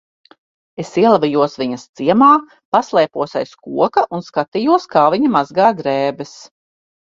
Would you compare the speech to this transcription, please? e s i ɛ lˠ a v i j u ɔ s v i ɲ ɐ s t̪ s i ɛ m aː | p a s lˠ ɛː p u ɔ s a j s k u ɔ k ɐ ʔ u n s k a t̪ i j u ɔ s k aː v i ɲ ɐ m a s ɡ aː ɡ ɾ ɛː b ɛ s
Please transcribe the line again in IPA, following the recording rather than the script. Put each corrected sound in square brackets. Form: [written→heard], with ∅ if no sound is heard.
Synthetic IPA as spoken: e s i ɛ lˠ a v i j u ɔ s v i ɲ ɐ s t̪ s i ɛ m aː | p a s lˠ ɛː p u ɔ s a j s k u ɔ k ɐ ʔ u n s k a t̪ i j u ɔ s k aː v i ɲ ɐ m a [s→z] ɡ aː ɡ ɾ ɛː b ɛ s